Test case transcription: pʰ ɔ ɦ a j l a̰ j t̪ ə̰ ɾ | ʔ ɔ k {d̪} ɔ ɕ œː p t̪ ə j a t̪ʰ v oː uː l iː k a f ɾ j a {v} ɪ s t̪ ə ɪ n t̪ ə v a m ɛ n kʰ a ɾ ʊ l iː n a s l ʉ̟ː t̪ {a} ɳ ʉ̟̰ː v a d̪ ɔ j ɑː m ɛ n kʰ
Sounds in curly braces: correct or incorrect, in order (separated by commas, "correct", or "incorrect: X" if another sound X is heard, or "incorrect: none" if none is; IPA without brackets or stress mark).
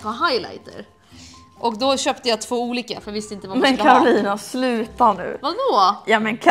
correct, correct, correct